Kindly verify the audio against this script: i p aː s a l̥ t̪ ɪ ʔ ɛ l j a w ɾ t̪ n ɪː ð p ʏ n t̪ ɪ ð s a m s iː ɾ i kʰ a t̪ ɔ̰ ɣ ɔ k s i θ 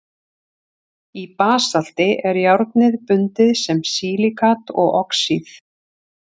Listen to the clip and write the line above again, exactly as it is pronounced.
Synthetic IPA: i p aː s a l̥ t̪ ɪ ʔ ɛ ɾ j a w ɾ t̪ n ɪ ð p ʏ n t̪ ɪ ð s ɛ m s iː l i kʰ a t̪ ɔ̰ ɣ ɔ k s i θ